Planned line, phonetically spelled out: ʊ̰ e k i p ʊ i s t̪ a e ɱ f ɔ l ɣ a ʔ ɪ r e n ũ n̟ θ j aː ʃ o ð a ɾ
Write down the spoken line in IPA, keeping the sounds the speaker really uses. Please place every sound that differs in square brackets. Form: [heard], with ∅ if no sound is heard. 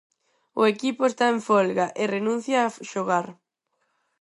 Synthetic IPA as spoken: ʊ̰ e k i p ʊ [e] s t̪ a e ɱ f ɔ l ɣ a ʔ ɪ r e n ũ n̟ θ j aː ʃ o [ɣ] a ɾ